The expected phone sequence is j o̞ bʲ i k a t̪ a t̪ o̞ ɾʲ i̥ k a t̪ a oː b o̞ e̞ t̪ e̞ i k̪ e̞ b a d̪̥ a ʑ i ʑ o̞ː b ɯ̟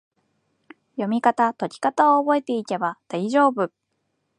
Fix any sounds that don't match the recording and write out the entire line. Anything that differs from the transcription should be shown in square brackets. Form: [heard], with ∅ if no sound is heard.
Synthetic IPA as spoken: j o̞ [mʲ] i k a t̪ a t̪ o̞ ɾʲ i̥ k a t̪ a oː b o̞ e̞ t̪ e̞ i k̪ e̞ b a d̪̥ a [∅] i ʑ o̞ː b ɯ̟